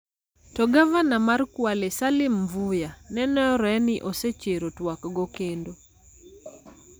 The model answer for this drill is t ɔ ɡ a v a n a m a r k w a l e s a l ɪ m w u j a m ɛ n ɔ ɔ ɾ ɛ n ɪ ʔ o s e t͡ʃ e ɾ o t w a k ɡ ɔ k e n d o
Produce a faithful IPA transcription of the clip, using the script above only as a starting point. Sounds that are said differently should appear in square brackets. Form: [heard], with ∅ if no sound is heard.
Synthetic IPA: t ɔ ɡ a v a n a m a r k w a l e s a l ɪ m [v] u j a [n] ɛ n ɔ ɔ ɾ ɛ n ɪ ʔ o s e t͡ʃ e ɾ o t w a k ɡ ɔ k e n d o